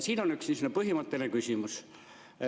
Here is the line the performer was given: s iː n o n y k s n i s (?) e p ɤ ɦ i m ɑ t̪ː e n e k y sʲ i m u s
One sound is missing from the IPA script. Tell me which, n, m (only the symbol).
n